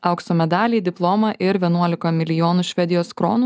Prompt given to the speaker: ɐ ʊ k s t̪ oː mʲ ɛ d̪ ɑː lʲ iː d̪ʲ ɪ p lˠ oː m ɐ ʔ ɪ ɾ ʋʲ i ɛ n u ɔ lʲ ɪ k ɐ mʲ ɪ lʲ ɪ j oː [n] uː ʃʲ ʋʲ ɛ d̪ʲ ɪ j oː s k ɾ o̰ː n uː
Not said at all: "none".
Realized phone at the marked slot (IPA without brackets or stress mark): n